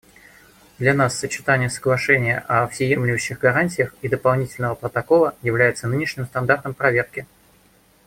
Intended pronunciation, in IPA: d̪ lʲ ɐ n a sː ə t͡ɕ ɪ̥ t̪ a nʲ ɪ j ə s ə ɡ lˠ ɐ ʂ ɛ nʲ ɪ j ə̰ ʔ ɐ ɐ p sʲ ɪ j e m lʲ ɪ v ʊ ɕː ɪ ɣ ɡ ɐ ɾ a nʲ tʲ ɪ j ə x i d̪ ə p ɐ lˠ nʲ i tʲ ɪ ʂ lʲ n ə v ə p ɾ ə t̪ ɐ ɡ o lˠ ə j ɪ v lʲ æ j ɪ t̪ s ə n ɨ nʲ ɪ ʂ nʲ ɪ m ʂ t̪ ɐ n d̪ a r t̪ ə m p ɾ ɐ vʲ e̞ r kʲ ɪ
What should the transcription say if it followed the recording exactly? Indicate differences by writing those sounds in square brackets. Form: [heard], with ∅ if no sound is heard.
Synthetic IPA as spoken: d̪ lʲ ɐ n a sː ə t͡ɕ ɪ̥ t̪ a nʲ ɪ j ə s ə ɡ lˠ ɐ ʂ ɛ nʲ ɪ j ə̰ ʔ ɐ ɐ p sʲ ɪ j e m lʲ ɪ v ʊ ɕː ɪ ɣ ɡ ɐ ɾ a nʲ tʲ ɪ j ə x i d̪ ə p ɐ lˠ nʲ i tʲ ɪ [∅] lʲ n ə v ə p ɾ ə t̪ ɐ [k] o lˠ ə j ɪ v lʲ æ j ɪ t̪ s ə n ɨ nʲ ɪ ʂ nʲ ɪ m [s] t̪ ɐ n d̪ a r t̪ ə m p ɾ ɐ vʲ e̞ r kʲ ɪ